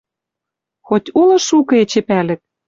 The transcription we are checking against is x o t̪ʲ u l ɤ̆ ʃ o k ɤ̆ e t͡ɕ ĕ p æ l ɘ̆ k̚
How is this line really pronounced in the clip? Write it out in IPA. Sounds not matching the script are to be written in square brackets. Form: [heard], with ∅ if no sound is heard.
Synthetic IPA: x o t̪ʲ u l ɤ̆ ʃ [u] k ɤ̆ e t͡ɕ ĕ p æ l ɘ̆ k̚